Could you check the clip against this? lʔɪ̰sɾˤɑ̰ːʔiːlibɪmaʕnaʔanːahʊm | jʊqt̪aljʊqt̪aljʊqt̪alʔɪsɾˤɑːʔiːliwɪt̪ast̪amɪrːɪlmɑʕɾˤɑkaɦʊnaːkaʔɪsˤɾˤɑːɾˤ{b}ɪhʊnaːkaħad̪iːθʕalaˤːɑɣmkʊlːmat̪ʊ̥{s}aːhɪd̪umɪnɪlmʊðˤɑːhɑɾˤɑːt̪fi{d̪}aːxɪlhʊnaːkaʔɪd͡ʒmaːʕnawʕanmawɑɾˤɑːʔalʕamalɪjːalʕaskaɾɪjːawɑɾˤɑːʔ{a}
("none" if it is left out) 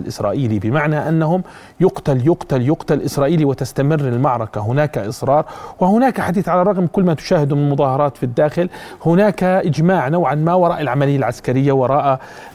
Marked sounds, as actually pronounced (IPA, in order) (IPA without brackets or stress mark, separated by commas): w, ʃ, d̪ː, a